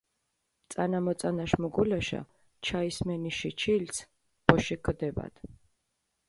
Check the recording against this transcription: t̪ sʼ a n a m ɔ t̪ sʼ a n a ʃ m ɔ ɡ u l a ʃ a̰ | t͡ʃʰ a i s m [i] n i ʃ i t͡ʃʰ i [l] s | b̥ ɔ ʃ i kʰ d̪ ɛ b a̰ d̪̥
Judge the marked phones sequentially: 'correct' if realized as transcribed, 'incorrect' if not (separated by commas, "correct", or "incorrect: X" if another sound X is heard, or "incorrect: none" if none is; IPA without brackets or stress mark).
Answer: incorrect: ɛ, correct